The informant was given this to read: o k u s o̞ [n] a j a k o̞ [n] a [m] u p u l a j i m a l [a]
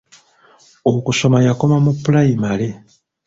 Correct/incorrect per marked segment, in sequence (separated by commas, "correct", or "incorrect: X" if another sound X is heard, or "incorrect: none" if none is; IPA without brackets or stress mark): incorrect: m, incorrect: m, correct, incorrect: e